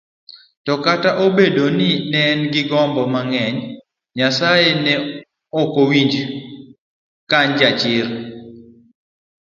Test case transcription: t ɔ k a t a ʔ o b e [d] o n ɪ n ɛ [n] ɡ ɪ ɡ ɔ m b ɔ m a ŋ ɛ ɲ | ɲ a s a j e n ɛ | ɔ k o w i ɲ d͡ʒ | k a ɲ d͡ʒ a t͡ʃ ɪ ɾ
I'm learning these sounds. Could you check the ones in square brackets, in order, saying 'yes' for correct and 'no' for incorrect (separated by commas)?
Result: yes, yes